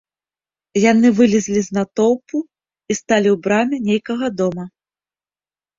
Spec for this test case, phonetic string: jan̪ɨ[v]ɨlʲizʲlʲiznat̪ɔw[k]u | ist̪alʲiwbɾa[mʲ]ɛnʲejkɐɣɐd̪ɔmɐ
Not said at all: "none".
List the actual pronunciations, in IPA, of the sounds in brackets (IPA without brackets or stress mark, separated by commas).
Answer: v, p, mʲ